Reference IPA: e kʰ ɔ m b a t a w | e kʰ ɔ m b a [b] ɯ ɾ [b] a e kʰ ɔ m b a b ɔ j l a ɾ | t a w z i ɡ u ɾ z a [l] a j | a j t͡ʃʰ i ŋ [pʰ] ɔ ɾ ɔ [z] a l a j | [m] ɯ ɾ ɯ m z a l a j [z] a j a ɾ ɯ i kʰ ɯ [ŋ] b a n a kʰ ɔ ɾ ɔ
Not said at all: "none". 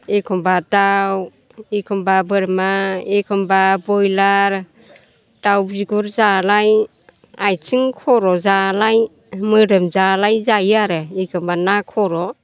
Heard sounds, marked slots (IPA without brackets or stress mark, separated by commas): b, m, l, kʰ, z, m, z, m